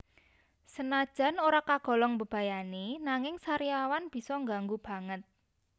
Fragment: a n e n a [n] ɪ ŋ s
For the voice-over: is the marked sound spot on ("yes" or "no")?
no